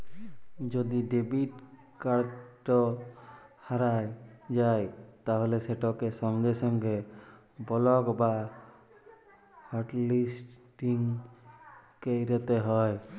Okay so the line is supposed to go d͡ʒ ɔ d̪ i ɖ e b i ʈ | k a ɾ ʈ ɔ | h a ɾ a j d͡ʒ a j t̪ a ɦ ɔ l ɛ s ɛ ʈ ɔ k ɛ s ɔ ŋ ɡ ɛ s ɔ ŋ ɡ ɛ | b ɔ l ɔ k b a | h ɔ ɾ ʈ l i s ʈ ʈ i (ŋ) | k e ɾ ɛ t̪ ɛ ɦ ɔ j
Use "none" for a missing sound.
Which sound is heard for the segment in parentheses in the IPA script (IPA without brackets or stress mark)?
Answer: ŋ